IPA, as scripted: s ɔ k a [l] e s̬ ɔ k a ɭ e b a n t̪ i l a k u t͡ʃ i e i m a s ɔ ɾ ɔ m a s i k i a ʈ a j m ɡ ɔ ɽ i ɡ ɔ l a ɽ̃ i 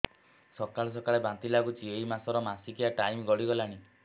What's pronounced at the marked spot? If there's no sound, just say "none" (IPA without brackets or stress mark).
ɭ